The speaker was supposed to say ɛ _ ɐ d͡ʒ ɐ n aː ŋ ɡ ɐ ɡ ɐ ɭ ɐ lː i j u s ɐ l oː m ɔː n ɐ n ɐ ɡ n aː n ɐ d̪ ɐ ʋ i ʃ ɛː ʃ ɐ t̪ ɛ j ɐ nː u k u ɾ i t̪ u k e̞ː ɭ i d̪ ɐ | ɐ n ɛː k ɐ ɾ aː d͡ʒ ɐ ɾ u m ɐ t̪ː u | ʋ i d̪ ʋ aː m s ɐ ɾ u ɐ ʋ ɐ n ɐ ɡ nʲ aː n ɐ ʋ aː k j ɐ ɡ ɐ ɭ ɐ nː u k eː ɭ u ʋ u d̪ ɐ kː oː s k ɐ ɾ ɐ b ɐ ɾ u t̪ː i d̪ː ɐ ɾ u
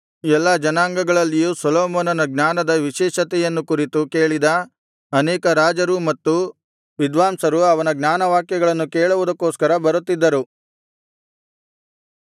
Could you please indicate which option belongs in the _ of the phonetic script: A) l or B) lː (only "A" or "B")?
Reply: B